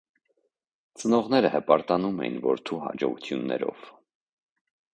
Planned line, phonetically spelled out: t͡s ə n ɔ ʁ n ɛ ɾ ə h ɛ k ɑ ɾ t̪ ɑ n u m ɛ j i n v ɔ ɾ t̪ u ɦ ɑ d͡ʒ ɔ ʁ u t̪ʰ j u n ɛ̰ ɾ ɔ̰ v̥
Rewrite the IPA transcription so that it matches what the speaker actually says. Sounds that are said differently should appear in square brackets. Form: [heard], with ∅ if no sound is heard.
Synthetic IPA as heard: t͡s ə n ɔ ʁ n ɛ ɾ ə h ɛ [p] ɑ ɾ t̪ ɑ n u m ɛ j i n v ɔ ɾ [t̪ʰ] u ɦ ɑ d͡ʒ ɔ ʁ u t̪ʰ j u [nː] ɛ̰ ɾ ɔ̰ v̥